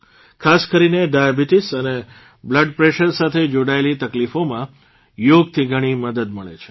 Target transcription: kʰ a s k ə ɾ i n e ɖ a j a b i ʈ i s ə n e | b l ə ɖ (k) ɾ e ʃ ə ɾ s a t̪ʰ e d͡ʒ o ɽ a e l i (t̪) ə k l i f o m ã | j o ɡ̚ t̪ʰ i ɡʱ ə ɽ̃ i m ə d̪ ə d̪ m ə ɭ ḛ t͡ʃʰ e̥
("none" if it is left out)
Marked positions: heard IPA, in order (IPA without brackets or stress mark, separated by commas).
p, t̪